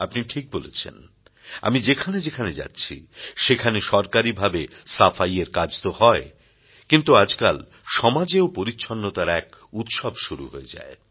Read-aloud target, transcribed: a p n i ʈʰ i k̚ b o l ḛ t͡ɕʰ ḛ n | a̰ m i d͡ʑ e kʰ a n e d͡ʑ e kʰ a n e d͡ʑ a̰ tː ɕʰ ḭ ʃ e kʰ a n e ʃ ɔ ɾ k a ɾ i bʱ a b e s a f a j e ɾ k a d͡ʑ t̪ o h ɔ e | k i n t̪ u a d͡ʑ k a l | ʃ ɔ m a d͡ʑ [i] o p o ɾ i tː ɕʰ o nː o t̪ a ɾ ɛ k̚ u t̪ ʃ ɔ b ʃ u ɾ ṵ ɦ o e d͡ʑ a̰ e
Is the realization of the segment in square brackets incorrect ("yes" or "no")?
yes